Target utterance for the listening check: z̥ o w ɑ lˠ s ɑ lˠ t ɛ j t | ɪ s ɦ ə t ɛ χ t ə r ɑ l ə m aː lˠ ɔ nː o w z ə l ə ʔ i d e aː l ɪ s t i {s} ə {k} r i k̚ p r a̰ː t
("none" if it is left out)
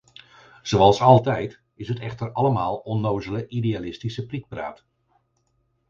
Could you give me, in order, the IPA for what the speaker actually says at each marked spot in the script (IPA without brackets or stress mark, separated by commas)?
s, p